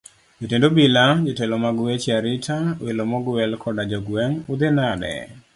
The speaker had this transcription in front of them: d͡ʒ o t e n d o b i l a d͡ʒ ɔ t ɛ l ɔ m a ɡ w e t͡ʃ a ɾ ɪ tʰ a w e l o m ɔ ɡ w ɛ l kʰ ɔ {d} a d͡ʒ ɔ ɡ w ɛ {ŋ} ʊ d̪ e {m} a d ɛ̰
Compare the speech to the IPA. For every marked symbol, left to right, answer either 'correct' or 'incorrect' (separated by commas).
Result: correct, correct, incorrect